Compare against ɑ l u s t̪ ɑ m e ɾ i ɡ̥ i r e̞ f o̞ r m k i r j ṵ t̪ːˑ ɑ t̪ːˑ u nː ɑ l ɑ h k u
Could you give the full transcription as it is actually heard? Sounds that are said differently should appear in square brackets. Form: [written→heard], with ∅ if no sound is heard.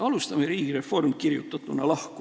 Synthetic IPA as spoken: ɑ l u s t̪ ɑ m e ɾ [i→iː] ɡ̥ i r e̞ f o̞ r m k i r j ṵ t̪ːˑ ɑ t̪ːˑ u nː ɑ l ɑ h k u